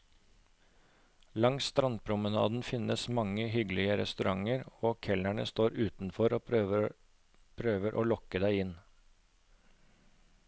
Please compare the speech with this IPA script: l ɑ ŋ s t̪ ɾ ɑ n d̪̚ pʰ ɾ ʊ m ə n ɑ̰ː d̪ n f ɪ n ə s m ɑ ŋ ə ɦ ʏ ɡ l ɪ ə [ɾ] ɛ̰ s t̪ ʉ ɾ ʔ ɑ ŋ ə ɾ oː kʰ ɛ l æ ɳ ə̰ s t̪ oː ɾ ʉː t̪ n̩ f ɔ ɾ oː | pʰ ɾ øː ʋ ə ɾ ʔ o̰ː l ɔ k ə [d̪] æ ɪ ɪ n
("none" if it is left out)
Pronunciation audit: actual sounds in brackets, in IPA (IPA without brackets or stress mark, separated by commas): ɾ, d̪